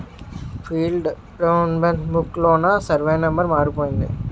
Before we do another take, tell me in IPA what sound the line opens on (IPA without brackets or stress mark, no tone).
f